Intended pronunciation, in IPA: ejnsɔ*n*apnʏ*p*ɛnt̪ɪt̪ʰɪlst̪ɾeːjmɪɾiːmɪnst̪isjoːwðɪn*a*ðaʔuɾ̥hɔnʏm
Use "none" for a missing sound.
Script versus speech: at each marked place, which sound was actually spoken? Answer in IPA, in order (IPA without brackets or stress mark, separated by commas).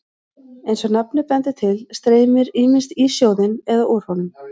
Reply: n, p, ɛ